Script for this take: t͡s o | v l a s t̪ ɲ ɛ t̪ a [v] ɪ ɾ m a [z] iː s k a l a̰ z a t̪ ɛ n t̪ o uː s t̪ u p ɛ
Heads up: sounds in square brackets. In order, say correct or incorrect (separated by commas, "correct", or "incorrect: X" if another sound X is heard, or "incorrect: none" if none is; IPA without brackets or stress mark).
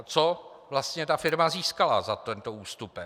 incorrect: f, correct